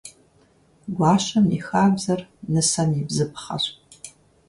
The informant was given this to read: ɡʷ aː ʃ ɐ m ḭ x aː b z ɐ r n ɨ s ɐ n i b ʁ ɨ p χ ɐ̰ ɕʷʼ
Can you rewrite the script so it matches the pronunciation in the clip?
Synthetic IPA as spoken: ɡʷ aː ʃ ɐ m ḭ x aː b z ɐ r n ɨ s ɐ n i b z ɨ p χ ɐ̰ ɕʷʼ